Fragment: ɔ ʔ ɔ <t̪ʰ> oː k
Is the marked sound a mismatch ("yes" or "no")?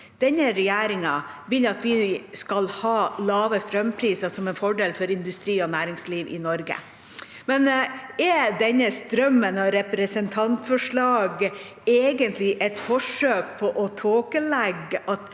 no